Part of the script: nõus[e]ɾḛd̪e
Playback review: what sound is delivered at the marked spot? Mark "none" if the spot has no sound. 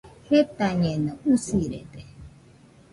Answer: i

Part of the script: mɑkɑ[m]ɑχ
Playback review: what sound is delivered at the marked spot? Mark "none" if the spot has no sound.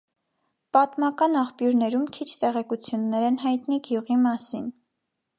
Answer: n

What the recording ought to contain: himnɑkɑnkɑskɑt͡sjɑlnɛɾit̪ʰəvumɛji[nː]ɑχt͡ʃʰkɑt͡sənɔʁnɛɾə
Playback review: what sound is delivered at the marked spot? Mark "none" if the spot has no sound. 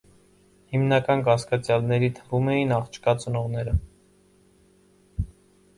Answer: n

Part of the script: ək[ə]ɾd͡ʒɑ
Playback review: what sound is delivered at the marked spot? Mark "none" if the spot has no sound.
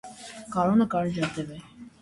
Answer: ɑ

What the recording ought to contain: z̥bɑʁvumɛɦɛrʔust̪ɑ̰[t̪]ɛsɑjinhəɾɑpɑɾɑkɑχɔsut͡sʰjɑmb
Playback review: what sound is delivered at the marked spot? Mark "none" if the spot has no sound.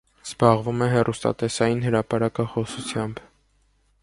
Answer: t̪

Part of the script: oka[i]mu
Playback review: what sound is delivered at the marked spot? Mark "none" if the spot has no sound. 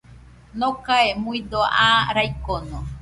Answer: e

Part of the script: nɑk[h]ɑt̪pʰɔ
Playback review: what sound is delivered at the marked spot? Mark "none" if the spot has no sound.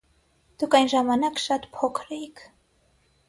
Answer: ʃ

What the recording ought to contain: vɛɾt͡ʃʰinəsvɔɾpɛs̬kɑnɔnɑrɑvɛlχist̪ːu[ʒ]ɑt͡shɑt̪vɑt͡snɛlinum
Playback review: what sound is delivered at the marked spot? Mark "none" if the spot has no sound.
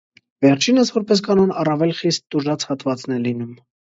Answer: ʒ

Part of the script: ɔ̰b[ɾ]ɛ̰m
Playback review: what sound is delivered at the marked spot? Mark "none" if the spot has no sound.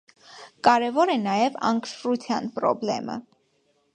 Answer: l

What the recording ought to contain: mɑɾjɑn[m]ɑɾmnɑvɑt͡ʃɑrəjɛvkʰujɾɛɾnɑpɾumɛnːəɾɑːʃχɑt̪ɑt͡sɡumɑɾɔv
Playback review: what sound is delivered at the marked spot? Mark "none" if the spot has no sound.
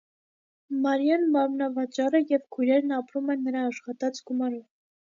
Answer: m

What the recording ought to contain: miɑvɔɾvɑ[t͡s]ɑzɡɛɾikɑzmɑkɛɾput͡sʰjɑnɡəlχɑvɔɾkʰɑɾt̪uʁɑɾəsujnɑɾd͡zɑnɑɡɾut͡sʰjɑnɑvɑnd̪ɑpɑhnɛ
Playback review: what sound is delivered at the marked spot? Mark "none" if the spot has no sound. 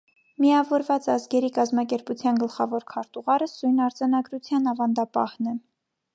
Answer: t͡s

